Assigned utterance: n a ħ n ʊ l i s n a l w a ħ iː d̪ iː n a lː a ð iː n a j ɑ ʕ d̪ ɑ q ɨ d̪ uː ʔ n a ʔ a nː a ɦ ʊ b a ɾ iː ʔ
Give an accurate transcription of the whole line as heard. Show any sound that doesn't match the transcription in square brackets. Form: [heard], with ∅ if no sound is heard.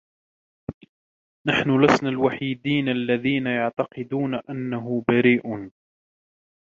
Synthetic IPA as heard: n a ħ n ʊ l [a] s n a l w a ħ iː d̪ iː n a lː a ð iː n a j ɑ ʕ [t̪] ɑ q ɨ d̪ uː [∅] n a ʔ a nː a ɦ ʊ b a ɾ iː ʔ